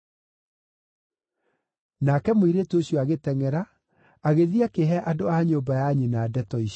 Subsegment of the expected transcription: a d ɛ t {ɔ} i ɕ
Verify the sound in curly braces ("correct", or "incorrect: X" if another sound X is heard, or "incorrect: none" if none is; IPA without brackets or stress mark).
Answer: correct